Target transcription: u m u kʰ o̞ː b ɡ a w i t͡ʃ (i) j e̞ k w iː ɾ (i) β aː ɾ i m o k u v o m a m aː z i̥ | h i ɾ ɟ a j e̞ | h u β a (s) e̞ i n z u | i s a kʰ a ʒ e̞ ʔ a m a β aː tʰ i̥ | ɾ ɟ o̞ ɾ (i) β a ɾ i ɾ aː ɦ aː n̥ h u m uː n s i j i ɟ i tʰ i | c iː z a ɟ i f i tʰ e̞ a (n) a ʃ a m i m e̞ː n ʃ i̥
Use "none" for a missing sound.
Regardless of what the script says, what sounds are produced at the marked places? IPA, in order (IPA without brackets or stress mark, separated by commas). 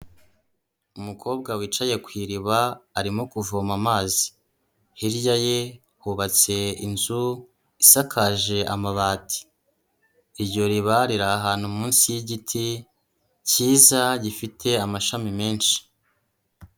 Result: a, i, t͡s, i, m